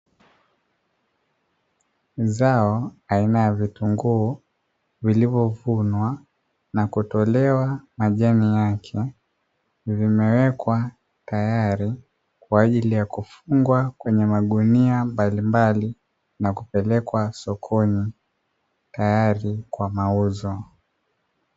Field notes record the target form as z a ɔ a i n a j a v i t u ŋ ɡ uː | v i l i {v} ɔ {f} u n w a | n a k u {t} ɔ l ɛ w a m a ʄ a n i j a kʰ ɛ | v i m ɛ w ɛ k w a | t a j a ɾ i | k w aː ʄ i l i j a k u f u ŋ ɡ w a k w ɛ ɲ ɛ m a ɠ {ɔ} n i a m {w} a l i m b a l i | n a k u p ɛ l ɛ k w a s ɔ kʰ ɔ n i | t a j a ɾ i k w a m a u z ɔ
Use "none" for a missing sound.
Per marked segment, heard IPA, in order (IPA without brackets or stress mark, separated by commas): v, v, t, u, b